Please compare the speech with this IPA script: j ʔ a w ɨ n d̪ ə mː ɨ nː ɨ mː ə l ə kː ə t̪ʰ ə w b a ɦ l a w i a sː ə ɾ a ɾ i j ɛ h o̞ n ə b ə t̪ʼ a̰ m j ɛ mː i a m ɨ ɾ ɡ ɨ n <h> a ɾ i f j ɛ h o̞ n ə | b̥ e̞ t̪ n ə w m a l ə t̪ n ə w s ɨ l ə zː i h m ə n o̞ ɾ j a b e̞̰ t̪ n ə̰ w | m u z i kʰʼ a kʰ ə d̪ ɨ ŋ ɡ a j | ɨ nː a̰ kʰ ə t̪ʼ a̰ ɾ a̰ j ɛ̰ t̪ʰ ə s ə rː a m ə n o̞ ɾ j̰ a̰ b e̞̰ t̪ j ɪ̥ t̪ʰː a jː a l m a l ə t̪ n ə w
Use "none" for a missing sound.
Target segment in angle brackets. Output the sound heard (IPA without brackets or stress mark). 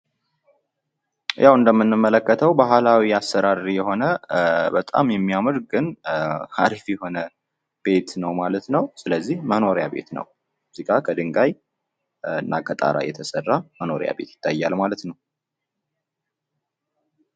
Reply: h